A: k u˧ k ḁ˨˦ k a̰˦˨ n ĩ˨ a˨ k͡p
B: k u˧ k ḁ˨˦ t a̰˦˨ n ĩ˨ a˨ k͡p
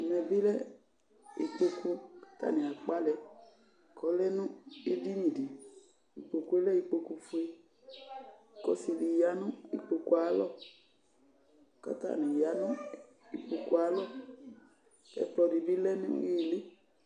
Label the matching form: B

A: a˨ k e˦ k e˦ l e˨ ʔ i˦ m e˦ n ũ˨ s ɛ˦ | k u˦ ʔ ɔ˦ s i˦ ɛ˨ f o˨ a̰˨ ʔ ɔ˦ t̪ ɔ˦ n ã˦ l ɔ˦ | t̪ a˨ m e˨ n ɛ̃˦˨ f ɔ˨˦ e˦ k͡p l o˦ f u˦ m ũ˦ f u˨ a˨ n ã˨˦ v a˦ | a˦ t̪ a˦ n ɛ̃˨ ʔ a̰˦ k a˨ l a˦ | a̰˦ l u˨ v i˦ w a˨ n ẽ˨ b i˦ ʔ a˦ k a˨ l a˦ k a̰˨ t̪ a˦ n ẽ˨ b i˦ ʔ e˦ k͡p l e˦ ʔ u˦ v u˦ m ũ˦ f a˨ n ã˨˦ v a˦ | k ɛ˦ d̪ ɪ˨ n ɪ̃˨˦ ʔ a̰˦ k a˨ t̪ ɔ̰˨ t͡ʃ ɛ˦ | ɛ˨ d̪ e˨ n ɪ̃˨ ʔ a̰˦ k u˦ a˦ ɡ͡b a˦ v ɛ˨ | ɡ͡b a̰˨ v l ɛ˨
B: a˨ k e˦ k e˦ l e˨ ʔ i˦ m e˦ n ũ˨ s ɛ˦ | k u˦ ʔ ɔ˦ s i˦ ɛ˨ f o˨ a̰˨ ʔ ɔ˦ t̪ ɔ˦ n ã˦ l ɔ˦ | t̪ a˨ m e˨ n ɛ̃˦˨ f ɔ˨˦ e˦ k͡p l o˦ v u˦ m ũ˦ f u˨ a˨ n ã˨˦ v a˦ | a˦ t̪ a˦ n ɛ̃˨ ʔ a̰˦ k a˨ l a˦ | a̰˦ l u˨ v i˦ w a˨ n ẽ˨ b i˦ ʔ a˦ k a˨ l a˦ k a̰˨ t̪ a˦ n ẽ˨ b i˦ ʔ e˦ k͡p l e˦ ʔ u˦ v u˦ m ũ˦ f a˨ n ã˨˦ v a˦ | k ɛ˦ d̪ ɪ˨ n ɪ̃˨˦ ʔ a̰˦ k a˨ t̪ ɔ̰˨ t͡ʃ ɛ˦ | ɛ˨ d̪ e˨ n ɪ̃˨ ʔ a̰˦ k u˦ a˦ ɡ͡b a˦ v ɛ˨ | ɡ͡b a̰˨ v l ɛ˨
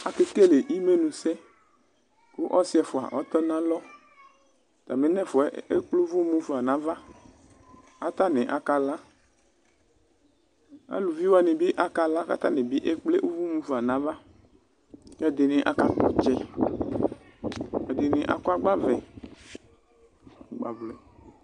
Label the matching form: B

